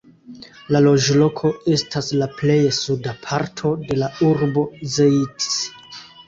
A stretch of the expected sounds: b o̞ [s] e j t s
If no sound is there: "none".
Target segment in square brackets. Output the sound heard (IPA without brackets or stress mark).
z